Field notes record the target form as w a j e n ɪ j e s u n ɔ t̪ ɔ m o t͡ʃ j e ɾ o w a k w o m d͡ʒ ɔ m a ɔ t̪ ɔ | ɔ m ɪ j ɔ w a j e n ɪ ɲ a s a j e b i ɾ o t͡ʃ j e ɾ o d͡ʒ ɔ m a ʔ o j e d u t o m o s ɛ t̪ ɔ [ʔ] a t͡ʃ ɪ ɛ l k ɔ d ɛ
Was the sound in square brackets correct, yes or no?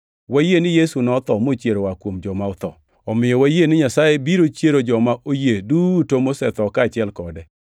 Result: no